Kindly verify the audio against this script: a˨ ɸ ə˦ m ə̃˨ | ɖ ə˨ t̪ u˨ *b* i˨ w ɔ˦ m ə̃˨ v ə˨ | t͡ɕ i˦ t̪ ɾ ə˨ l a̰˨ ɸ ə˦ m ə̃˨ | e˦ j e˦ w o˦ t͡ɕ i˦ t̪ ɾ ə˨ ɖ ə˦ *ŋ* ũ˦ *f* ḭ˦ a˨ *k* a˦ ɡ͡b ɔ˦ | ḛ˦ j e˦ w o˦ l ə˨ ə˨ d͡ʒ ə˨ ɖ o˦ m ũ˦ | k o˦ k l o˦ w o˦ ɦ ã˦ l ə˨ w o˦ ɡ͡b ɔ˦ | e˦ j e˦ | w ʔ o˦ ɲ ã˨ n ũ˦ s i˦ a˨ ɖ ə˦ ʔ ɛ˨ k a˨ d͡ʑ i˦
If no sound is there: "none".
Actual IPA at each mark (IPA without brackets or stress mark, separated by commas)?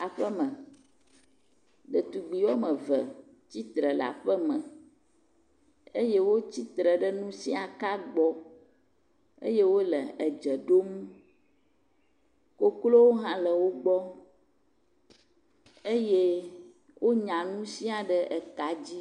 ɡ͡b, n, s, k